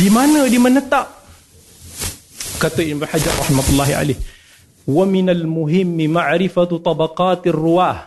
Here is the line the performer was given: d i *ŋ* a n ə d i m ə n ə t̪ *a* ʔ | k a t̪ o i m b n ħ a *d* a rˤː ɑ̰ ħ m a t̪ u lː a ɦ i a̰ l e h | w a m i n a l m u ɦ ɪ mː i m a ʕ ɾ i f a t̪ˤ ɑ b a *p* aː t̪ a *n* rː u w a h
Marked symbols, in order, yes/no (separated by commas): no, yes, no, no, no